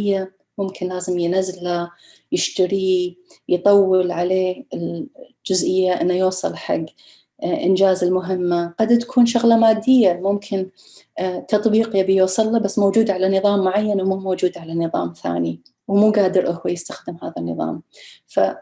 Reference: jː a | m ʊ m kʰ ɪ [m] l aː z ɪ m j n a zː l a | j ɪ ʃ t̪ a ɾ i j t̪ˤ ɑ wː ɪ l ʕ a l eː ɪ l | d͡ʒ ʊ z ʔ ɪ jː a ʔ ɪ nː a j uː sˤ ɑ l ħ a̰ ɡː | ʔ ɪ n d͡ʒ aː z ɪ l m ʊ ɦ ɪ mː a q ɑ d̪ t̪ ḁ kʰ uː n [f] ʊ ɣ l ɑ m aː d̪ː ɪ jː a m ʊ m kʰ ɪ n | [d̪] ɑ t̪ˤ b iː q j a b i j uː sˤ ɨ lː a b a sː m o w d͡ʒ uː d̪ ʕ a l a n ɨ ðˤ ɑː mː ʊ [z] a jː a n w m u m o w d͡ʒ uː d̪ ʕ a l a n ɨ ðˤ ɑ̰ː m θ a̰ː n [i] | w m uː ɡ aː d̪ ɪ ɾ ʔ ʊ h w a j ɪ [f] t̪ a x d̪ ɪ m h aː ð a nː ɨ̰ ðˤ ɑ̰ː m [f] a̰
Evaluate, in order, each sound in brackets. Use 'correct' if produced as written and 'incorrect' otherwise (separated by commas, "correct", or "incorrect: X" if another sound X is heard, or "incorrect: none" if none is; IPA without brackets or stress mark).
incorrect: n, incorrect: ʃ, incorrect: t̪, incorrect: ʕ, correct, incorrect: s, correct